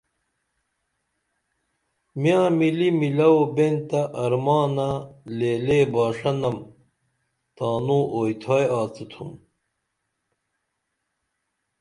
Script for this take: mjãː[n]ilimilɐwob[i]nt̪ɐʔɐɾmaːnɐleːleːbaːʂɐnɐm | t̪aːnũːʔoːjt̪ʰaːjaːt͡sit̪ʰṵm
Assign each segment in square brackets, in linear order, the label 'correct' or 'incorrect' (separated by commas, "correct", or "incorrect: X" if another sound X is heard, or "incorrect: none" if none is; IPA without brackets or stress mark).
incorrect: m, incorrect: e